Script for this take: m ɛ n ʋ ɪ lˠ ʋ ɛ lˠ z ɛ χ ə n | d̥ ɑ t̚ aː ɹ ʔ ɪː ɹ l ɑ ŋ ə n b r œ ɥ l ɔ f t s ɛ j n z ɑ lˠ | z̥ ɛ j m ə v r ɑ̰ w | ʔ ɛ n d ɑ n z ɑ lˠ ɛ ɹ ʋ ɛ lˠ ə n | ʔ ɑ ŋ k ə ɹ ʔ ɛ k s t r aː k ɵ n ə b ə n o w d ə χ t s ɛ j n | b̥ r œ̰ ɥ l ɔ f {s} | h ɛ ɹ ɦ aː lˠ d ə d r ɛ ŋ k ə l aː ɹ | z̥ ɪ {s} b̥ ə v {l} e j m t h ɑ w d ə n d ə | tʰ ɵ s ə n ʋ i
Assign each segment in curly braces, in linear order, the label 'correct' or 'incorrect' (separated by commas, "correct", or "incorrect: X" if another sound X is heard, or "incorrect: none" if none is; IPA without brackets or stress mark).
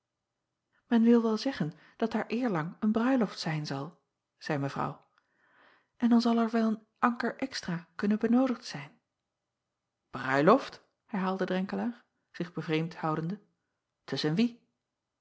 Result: incorrect: t, incorrect: χ, incorrect: r